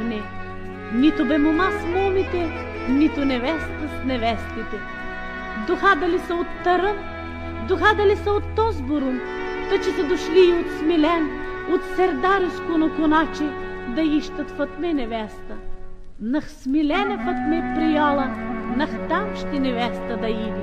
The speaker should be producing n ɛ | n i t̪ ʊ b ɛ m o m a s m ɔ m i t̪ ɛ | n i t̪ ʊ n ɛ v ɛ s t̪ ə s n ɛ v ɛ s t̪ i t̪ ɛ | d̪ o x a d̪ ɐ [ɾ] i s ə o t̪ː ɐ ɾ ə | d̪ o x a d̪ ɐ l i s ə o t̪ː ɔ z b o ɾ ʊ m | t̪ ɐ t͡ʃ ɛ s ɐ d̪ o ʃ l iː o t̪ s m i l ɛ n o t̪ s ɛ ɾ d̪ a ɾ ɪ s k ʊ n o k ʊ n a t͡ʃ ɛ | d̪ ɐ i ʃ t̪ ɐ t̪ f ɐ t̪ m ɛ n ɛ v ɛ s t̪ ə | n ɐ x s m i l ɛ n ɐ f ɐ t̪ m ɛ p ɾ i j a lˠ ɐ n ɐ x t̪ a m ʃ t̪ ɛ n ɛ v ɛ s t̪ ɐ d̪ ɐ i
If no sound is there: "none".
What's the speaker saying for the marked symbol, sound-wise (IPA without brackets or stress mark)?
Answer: l